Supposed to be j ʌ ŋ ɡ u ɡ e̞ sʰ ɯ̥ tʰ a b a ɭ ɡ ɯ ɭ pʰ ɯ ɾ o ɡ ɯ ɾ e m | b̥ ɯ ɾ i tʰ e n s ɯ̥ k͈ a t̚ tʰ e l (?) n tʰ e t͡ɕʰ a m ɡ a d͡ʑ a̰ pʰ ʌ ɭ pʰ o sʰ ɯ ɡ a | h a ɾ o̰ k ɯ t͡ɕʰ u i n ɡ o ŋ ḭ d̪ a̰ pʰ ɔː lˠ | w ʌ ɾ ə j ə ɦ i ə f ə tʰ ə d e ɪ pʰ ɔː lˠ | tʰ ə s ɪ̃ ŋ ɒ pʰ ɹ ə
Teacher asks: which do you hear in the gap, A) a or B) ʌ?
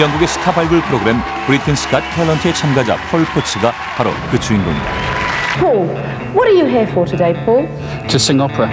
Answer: B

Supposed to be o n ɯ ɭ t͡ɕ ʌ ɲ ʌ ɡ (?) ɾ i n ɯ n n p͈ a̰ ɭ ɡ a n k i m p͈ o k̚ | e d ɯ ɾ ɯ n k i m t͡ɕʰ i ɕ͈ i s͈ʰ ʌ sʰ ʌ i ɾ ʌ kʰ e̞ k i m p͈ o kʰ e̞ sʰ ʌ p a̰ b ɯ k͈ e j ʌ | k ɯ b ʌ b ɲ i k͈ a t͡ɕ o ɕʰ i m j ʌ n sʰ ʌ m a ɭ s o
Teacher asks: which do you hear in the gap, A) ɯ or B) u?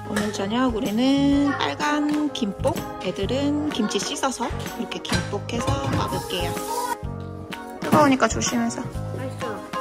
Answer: B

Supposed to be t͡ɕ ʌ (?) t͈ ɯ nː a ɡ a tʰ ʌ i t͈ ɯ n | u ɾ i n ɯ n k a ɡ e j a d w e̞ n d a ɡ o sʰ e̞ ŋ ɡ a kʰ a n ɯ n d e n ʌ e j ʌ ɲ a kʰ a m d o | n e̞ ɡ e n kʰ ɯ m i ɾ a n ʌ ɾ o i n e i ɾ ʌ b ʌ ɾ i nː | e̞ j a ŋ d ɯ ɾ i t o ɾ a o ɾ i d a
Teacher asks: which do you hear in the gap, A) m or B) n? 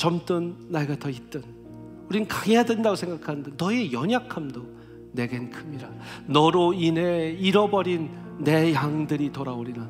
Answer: A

